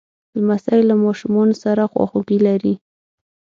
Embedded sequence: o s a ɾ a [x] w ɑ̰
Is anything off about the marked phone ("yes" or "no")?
no